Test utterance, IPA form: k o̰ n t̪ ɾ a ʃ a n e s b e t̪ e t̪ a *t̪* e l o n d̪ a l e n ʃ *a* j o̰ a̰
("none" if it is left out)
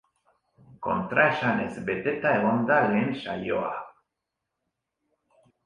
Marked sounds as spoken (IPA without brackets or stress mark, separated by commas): none, a